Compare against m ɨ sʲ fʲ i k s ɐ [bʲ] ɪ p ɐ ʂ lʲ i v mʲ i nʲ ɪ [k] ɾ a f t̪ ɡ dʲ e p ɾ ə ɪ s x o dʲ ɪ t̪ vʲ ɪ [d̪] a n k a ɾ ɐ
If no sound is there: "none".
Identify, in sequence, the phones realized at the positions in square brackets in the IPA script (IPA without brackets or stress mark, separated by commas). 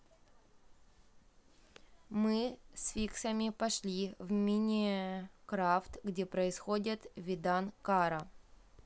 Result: mʲ, k, d̪